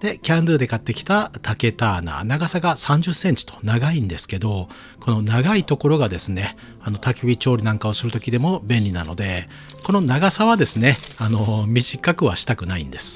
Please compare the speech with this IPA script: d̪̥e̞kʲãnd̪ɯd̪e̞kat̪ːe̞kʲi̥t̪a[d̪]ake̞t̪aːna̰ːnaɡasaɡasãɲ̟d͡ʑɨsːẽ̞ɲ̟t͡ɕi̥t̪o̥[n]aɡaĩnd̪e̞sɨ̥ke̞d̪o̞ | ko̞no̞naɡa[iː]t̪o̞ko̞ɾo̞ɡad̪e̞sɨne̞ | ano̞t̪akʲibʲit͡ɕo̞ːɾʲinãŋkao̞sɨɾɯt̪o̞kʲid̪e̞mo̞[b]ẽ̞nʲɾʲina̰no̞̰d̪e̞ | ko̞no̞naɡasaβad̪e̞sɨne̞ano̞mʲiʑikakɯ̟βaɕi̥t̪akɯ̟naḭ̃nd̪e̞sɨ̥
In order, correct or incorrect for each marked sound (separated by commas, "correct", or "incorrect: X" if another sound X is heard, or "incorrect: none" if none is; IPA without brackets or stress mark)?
incorrect: t̪, correct, incorrect: i, correct